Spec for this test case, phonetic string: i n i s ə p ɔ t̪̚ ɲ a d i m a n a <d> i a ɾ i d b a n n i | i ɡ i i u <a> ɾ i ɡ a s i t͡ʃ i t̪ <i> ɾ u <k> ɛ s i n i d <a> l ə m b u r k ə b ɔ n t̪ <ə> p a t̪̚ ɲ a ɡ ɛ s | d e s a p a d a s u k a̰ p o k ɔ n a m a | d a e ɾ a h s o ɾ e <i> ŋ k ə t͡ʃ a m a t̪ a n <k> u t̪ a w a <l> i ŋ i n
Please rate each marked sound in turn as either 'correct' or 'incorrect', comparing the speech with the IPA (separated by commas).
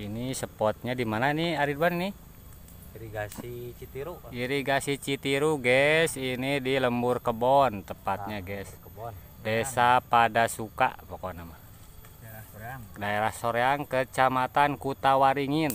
incorrect, incorrect, correct, incorrect, incorrect, correct, incorrect, correct, incorrect